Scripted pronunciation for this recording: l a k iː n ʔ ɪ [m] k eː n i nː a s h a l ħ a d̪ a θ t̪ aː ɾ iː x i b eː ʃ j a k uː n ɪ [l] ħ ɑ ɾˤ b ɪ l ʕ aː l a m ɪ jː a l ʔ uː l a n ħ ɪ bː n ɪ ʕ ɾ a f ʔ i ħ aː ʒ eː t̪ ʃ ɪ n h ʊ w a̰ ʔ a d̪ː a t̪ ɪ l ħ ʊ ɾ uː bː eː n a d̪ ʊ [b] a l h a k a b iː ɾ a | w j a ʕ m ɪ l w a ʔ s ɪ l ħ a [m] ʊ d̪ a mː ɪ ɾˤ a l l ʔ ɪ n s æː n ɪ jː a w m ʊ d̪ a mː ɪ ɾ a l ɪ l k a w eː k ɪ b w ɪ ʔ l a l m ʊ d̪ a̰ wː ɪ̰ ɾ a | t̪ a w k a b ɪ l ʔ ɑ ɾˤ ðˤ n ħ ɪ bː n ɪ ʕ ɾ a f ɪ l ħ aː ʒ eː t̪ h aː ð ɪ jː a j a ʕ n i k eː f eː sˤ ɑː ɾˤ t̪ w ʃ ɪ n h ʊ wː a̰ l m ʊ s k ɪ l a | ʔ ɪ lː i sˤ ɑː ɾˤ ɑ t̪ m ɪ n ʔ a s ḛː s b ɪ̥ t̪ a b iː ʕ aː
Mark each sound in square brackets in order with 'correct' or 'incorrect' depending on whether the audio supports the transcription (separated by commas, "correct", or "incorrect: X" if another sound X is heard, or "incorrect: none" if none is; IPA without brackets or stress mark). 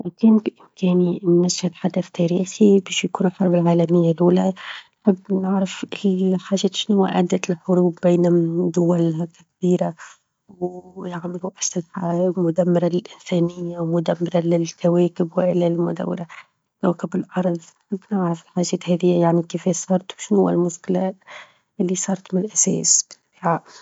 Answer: correct, correct, incorrect: w, correct